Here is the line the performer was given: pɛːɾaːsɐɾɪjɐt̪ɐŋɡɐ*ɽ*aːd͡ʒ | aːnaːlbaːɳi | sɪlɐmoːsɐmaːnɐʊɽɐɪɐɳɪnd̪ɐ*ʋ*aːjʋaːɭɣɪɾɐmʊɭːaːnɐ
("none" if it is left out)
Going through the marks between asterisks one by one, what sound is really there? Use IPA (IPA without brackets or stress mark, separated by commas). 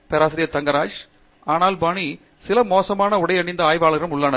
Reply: ɾ, none